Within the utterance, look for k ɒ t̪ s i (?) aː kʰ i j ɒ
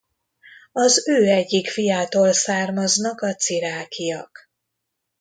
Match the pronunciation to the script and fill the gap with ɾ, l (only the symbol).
ɾ